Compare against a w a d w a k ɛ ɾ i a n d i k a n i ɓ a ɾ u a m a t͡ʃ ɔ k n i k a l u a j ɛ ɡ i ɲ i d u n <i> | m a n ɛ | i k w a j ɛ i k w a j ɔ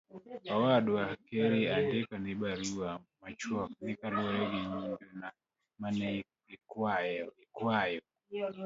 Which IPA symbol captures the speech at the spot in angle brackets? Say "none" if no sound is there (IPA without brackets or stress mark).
a